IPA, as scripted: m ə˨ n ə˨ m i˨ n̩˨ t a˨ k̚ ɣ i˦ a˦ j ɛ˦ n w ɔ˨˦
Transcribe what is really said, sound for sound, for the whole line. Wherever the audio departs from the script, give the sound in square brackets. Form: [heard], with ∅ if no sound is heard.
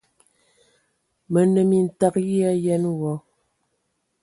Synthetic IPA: m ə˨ n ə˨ m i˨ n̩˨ t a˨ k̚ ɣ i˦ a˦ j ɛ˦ n w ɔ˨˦